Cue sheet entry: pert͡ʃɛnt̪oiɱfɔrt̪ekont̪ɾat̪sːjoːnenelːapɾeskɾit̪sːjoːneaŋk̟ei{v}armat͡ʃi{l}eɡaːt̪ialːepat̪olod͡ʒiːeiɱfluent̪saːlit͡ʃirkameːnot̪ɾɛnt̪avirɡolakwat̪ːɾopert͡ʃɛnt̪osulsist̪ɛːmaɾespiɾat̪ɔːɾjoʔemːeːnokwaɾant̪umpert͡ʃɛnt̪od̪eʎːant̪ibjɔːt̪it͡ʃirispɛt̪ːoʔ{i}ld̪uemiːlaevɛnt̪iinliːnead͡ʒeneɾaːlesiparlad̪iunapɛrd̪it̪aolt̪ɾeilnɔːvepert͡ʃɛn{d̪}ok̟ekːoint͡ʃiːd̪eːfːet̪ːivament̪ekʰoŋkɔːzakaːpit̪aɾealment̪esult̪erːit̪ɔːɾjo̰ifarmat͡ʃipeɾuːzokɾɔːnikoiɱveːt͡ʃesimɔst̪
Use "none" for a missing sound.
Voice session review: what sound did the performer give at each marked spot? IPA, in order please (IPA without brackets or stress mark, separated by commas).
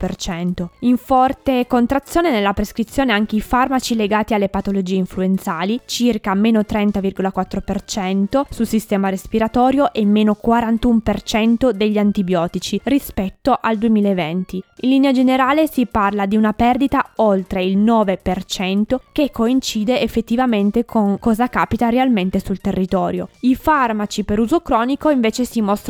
f, l, a, t̪